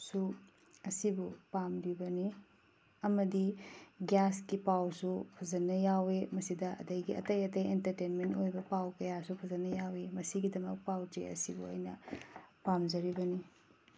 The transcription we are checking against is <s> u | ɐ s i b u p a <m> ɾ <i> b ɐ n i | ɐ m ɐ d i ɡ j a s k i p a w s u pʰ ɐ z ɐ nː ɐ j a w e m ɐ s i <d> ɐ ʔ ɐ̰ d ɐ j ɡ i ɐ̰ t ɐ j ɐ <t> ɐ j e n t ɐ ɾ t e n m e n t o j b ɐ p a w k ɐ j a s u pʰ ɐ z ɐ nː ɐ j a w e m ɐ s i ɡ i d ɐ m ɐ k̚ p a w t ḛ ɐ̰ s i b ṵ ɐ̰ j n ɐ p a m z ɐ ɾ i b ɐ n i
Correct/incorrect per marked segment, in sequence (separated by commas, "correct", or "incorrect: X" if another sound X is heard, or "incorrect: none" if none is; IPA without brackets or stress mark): correct, correct, correct, correct, correct